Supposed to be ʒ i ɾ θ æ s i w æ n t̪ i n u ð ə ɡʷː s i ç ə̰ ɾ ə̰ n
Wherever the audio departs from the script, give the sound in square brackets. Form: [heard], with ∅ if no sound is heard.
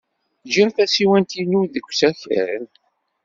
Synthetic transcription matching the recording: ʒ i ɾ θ æ s i w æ n t̪ i n u ð ə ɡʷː s [æ] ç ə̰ ɾ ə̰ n